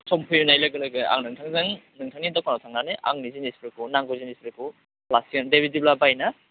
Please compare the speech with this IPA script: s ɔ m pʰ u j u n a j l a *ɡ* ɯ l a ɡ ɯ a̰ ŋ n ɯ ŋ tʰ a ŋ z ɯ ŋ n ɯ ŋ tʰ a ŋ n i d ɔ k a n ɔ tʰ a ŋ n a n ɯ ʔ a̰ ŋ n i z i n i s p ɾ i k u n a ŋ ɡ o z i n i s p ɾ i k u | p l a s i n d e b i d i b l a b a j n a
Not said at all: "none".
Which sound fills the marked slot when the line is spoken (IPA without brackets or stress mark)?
ɡ